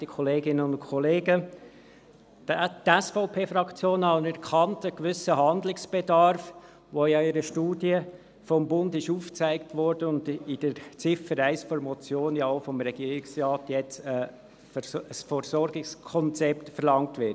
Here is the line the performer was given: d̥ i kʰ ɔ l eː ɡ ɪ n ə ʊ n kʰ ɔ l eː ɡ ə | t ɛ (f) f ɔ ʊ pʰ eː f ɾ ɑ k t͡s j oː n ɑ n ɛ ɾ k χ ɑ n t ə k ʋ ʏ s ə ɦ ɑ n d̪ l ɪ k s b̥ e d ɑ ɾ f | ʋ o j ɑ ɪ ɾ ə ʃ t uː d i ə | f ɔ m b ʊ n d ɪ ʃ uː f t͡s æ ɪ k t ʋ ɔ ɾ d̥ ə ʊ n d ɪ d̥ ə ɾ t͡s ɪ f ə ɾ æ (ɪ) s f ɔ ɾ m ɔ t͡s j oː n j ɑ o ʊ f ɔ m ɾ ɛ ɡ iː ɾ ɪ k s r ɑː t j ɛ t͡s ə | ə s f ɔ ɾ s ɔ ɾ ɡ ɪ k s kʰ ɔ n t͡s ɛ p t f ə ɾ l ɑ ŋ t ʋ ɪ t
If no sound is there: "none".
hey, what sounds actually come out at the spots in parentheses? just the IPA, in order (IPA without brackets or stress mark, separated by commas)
s, ɪ